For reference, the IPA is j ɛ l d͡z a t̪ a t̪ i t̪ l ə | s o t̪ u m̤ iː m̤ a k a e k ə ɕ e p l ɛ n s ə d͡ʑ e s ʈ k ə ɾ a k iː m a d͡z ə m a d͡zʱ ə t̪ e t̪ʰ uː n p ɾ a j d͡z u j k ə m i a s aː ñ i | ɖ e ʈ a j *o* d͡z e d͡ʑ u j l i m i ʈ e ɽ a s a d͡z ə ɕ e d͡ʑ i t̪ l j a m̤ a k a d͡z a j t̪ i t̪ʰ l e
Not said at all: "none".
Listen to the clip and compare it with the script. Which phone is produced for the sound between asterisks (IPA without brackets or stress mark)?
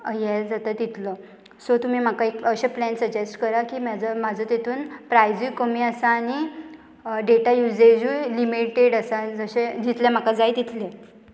u